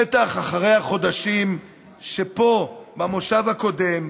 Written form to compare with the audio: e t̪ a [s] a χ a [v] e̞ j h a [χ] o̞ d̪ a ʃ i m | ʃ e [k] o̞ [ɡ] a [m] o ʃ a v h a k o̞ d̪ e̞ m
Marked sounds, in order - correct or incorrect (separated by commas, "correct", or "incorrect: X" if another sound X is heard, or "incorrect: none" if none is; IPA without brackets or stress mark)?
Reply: incorrect: χ, incorrect: ʁ, correct, incorrect: p, incorrect: b, correct